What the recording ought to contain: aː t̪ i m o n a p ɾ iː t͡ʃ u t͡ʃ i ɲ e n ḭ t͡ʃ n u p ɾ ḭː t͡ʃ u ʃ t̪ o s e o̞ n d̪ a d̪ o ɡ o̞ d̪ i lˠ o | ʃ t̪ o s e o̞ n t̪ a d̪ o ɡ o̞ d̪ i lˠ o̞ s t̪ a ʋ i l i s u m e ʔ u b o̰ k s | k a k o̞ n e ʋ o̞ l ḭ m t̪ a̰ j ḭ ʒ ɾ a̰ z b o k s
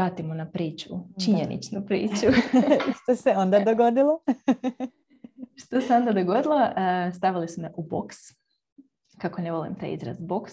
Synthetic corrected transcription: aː t̪ i m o n a p ɾ iː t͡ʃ u t͡ʃ i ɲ e n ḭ t͡ʃ n u p ɾ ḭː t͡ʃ u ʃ t̪ o s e o̞ n d̪ a d̪ o ɡ o̞ d̪ i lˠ o | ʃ t̪ o s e o̞ n d̪ a d̪ o ɡ o̞ d̪ i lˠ o̞ s t̪ a ʋ i l i s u m e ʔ u b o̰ k s | k a k o̞ n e ʋ o̞ l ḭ m t̪ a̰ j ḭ z ɾ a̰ z b o k s